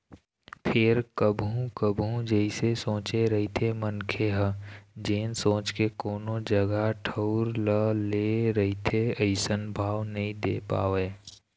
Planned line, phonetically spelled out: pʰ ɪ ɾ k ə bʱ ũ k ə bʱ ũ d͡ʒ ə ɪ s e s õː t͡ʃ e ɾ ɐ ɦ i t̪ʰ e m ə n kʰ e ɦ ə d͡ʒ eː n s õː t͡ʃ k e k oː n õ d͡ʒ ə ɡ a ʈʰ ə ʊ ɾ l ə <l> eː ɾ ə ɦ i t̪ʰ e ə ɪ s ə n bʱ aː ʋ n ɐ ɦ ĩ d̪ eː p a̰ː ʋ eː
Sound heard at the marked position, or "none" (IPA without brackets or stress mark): l